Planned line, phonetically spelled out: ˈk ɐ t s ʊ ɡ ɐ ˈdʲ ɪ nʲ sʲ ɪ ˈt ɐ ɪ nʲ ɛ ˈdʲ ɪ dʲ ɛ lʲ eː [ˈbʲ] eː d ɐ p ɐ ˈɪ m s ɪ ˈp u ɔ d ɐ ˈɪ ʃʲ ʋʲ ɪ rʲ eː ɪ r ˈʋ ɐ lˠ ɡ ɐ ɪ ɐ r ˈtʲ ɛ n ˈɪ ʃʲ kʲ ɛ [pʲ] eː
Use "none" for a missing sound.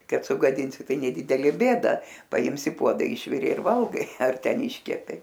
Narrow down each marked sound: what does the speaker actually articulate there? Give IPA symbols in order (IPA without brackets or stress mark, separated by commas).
bʲ, pʲ